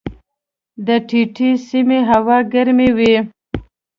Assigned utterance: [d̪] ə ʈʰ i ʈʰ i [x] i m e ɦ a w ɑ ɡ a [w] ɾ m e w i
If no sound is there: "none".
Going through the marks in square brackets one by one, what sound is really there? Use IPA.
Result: d̪, s, none

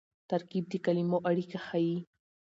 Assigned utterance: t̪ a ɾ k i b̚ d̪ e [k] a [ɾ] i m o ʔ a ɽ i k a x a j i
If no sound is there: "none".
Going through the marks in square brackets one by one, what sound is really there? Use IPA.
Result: k, l

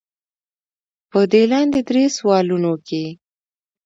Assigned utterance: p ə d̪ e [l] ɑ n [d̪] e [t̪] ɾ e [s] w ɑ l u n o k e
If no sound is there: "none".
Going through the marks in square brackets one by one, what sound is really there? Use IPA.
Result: l, d̪, d̪, s

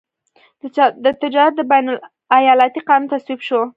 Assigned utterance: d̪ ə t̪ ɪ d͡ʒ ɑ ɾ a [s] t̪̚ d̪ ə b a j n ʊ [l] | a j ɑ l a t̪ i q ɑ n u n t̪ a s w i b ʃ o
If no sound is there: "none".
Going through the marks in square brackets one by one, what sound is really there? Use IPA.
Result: none, l

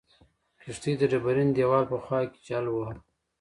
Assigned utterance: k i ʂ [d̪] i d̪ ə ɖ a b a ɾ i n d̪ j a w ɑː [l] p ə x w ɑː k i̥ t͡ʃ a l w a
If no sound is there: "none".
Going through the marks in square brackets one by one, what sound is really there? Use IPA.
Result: t̪, l

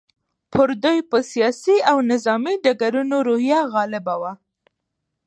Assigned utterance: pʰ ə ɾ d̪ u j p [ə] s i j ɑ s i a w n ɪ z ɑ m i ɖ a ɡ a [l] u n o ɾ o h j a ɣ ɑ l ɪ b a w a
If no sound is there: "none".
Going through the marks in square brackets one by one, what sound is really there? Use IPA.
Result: ə, ɾ

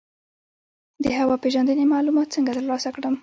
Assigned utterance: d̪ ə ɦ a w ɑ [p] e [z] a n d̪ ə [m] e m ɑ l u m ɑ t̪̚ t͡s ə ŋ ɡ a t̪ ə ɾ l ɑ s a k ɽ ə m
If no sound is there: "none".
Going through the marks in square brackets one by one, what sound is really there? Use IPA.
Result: p, ʒ, n

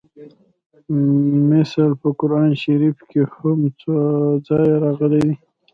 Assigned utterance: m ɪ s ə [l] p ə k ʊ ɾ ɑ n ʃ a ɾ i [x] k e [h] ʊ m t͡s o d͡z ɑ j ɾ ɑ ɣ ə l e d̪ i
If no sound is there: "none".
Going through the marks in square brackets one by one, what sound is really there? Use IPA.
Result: l, f, h

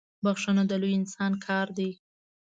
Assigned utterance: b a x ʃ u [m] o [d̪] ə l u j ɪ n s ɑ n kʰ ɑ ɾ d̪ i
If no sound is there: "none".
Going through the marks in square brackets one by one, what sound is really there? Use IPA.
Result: n, d̪

